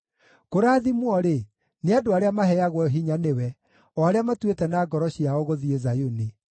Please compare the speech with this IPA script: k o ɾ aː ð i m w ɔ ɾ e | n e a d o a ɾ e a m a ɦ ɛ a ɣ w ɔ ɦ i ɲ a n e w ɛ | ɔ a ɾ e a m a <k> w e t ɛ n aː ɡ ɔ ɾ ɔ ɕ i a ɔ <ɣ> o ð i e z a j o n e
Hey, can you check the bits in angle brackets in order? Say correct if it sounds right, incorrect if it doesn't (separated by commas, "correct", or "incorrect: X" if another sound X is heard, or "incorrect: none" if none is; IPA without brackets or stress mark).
incorrect: t, correct